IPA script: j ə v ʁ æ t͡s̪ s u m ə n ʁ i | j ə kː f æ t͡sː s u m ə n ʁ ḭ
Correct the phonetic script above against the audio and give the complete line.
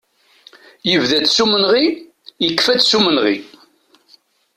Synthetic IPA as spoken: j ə v ð æ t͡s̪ s u m ə n ʁ i | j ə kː f æ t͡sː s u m ə n ʁ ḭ